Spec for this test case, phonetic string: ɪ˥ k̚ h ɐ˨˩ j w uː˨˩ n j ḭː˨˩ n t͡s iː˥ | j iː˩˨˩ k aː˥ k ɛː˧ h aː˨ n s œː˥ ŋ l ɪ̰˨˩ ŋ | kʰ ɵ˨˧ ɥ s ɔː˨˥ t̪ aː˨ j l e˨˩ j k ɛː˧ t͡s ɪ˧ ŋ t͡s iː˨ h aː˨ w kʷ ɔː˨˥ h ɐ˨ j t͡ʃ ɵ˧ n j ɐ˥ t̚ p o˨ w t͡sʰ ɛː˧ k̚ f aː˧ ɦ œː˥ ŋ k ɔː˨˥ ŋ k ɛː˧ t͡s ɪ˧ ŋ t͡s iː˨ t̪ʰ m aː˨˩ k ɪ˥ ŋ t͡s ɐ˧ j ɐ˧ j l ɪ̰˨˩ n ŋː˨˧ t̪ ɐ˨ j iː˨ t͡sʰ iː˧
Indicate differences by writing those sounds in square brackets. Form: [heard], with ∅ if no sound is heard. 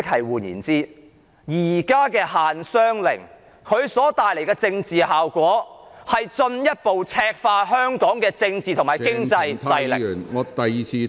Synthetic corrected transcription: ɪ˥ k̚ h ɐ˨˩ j w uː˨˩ n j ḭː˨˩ n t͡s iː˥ | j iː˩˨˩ k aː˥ k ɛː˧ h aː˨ n s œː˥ ŋ l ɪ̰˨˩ ŋ | kʰ ɵ˨˧ ɥ s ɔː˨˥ t̪ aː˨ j l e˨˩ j k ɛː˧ t͡s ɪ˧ ŋ t͡s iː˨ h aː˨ w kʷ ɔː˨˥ h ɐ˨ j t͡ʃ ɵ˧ n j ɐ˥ t̚ p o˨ w t͡sʰ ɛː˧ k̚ f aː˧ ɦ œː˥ ŋ k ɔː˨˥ ŋ k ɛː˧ t͡s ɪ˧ ŋ t͡s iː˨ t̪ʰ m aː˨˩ k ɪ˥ ŋ t͡s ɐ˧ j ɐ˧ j l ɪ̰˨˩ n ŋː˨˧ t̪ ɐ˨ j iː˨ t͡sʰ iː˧